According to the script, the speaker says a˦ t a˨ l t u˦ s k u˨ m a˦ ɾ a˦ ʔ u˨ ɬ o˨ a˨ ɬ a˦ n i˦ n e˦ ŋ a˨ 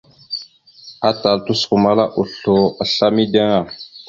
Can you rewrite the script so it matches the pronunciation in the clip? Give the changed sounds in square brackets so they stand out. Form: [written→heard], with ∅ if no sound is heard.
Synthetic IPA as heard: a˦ t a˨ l t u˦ s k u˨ m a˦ [ɾ→l] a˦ ʔ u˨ ɬ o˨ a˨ ɬ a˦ [n→m] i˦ [n→d] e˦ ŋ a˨